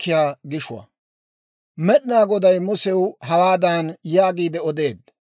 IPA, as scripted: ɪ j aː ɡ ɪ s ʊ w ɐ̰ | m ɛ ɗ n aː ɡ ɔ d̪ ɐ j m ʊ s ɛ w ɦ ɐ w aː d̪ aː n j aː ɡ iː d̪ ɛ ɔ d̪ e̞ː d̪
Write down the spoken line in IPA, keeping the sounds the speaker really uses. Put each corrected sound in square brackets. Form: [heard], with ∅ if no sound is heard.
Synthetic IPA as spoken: ɪ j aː ɡ ɪ [ʃ] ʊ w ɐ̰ | m ɛ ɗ n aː ɡ ɔ d̪ ɐ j m ʊ s ɛ w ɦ ɐ w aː d̪ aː n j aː ɡ iː d̪ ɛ ɔ d̪ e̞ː d̪